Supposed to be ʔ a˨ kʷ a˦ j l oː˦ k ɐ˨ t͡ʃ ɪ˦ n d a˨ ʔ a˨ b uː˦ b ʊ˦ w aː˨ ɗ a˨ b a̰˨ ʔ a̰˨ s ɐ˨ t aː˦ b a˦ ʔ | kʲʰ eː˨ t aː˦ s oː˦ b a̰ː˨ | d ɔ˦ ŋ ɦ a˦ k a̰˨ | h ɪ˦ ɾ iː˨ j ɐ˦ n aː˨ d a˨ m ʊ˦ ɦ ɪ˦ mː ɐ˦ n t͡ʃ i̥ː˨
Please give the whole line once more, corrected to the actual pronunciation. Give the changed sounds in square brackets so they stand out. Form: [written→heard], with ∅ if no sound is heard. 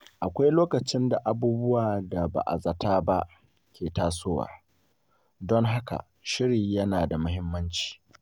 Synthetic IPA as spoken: ʔ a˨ kʷ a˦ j l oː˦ k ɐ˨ t͡ʃ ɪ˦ n d a˨ ʔ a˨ b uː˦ b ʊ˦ w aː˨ [ɗ→d] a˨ b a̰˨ ʔ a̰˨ [s→z] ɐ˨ t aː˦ b a˦ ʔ | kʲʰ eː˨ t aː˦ s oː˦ [b→w] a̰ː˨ | d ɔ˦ ŋ ɦ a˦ k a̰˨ | [h→ʃ] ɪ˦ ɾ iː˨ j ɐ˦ n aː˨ d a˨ m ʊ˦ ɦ ɪ˦ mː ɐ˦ n t͡ʃ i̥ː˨